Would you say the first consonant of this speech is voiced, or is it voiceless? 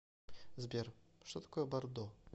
voiced